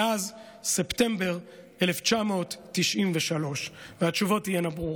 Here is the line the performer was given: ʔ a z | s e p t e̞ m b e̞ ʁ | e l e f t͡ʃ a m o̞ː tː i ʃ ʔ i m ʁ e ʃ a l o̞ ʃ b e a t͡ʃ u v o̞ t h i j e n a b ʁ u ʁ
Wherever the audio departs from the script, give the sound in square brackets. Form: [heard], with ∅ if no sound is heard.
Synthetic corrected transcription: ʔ a z | s e p t e̞ m b e̞ ʁ | e l e f t͡ʃ a m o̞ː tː i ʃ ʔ i m [v] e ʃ a l o̞ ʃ [v] e a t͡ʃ u v o̞ t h i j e n a b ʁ u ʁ